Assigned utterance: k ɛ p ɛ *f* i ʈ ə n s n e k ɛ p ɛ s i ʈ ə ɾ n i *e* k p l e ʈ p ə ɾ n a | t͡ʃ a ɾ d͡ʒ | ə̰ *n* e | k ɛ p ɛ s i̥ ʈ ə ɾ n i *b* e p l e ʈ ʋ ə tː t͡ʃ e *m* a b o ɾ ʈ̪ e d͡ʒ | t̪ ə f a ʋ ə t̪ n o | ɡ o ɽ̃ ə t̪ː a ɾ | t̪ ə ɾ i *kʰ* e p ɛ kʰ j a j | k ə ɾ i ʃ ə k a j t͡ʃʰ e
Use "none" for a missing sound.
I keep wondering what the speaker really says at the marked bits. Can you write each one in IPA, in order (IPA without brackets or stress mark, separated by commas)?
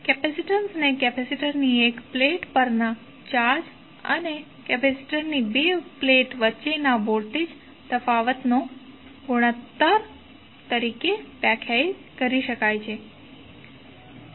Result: s, e, n, b, n, k